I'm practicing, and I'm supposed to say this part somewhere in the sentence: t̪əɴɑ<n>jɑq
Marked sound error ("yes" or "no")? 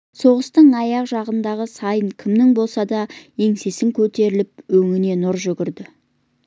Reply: yes